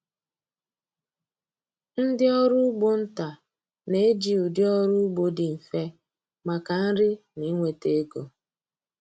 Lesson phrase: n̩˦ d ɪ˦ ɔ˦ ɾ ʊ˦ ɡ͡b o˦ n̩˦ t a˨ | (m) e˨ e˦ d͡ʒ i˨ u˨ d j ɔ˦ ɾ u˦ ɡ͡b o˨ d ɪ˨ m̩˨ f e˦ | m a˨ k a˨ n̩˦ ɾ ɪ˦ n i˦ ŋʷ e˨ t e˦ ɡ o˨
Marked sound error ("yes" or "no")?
yes